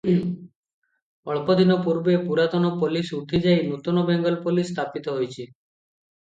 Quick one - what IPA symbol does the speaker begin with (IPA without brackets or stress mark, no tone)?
ɔ